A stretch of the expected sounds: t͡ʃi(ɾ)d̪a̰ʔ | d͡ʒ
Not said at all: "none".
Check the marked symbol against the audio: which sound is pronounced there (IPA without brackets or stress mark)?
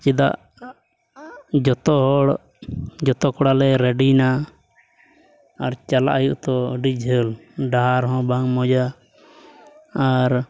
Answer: none